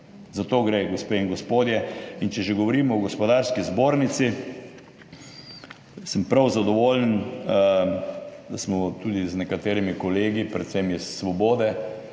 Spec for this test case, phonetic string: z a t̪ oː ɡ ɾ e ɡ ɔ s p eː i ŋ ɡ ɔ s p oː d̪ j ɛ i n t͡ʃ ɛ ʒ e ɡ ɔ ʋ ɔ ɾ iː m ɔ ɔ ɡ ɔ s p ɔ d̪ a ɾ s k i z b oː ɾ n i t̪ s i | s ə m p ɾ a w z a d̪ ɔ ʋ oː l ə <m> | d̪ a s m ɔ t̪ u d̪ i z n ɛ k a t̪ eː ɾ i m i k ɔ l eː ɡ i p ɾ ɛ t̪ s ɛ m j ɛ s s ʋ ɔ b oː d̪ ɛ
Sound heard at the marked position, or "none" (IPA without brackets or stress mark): n